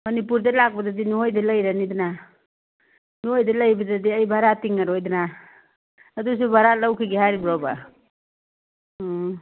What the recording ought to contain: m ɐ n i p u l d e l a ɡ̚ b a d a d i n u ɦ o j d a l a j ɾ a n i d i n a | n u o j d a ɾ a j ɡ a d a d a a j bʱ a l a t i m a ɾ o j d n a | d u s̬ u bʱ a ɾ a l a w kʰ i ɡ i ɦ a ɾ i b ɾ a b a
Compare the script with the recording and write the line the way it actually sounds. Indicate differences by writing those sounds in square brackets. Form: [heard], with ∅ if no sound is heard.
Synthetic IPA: m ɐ n i p u [ɾ] d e l a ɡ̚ b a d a d i n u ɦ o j d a l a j ɾ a n i d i n a | n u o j d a [l] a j [b] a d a d [i] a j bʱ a [ɾ] a t i [ŋ] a ɾ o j d n a | d u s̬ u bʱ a ɾ a l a w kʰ i ɡ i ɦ a ɾ i b ɾ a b a